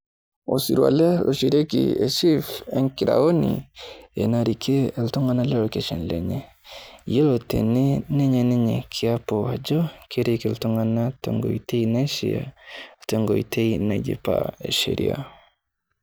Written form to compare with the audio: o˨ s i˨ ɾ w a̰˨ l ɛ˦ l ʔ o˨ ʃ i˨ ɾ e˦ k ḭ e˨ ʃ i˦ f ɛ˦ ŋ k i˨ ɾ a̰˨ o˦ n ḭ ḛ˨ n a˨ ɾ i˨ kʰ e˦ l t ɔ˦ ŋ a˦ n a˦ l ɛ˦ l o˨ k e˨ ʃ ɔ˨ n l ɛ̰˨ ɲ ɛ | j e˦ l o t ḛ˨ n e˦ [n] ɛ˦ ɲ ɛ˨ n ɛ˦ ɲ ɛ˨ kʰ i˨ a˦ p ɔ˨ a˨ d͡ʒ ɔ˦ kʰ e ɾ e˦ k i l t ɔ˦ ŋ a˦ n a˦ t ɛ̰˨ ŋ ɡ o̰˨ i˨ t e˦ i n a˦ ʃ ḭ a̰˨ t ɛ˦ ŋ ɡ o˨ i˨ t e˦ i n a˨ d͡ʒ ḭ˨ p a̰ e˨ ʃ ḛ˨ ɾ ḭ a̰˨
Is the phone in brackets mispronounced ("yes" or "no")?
no